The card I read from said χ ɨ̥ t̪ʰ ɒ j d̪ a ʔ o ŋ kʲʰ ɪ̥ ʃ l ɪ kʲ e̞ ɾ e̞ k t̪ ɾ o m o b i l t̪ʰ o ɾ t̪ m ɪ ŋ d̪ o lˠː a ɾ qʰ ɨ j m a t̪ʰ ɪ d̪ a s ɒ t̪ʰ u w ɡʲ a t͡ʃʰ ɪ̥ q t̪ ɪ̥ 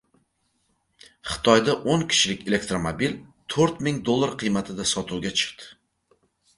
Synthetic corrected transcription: χ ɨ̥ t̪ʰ ɒ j d̪ a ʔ o ŋ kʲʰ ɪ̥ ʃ l ɪ kʲ e̞ l e̞ k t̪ ɾ o m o b i l t̪ʰ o ɾ t̪ m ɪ ŋ d̪ o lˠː a ɾ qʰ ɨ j m a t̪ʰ ɪ d̪ a s ɒ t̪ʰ u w ɡʲ a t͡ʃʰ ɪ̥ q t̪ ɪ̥

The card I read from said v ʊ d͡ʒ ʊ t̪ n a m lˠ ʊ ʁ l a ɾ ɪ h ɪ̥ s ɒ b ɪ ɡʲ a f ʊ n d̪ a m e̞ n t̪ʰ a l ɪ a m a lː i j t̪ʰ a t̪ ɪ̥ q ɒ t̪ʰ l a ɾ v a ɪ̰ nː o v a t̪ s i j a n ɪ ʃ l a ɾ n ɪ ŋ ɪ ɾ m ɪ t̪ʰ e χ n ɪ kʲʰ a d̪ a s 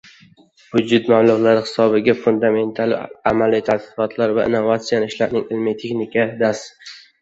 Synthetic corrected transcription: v ʊ d͡ʒ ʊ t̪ m a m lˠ ʊ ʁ l a ɾ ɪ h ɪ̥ s ɒ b ɪ ɡʲ a f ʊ n d̪ a m e̞ n t̪ʰ a l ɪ a m a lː i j t̪ʰ a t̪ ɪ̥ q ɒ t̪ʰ l a ɾ v a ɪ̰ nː o v a t̪ s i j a n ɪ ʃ l a ɾ n ɪ ŋ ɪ l m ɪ t̪ʰ e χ n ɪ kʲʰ a d̪ a s

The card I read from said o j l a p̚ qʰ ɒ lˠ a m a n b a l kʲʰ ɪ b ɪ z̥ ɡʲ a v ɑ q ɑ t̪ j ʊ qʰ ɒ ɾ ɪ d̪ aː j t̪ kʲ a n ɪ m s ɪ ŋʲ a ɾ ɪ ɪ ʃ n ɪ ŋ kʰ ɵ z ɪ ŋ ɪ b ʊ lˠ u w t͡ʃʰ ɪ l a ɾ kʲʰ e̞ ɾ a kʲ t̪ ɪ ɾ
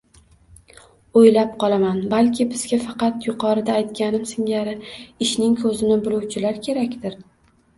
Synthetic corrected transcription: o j l a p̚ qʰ ɒ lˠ a m a n b a l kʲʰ ɪ b ɪ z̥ ɡʲ a f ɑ q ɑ t̪ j ʊ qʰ ɒ ɾ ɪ d̪ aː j t̪ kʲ a n ɪ m s ɪ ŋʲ a ɾ ɪ ɪ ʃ n ɪ ŋ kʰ ɵ z ɪ n ɪ b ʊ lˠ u w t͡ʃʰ ɪ l a ɾ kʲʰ e̞ ɾ a kʲ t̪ ɪ ɾ

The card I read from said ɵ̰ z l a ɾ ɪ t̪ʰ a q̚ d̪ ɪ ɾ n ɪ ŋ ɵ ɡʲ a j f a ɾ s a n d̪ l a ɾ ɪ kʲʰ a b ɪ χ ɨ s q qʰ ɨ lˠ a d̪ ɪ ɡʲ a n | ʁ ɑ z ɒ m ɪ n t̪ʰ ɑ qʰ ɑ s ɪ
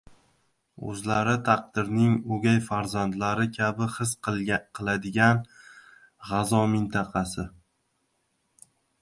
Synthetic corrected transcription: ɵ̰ z l a ɾ ɪ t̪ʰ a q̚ d̪ ɪ ɾ n ɪ ŋ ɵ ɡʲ a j f a ɾ z a n d̪ l a ɾ ɪ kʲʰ a b ɪ χ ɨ s q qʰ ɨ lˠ a d̪ ɪ ɡʲ a n | ʁ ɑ z ɒ m ɪ n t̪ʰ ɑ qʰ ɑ s ɪ

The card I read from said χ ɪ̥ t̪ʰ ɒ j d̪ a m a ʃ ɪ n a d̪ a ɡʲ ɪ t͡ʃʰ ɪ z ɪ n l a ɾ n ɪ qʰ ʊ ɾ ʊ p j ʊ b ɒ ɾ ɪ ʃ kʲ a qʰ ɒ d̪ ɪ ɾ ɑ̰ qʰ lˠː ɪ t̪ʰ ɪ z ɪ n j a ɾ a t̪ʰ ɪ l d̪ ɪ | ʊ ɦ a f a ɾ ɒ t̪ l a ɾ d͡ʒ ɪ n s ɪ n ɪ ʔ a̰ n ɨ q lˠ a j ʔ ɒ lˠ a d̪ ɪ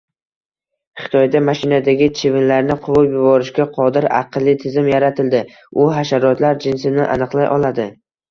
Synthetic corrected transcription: χ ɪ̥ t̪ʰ ɒ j d̪ a m a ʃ ɪ n a d̪ a ɡʲ ɪ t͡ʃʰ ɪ v ɪ n l a ɾ n ɪ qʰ ʊ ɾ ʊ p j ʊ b ɒ ɾ ɪ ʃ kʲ a qʰ ɒ d̪ ɪ ɾ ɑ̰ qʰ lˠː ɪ t̪ʰ ɪ z ɪ m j a ɾ a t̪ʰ ɪ l d̪ ɪ | ʊ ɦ a ʃ a ɾ ɒ t̪ l a ɾ d͡ʒ ɪ n s ɪ n ɪ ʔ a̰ n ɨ q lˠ a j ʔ ɒ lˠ a d̪ ɪ

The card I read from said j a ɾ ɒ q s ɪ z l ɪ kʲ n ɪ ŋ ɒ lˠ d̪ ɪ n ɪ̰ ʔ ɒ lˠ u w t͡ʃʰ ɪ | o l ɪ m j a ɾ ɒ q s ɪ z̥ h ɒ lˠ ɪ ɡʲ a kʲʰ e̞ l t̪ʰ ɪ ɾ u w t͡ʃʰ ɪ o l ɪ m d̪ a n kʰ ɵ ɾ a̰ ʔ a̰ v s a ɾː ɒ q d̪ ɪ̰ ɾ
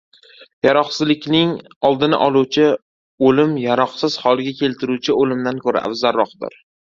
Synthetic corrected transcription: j a ɾ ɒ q s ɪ z l ɪ kʲ n ɪ ŋ ɒ lˠ d̪ ɪ n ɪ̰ ʔ ɒ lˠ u w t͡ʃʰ ɪ | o l ɪ m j a ɾ ɒ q s ɪ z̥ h ɒ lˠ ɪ ɡʲ a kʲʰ e̞ l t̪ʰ ɪ ɾ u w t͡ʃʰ ɪ o l ɪ m d̪ a n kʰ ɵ ɾ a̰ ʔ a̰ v z a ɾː ɒ q d̪ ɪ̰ ɾ

